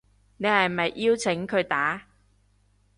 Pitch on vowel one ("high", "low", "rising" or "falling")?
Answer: low